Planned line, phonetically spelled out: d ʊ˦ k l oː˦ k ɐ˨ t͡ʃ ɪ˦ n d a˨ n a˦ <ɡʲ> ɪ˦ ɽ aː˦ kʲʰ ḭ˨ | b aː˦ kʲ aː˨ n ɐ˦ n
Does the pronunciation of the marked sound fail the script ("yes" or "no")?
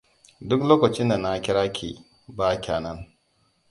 yes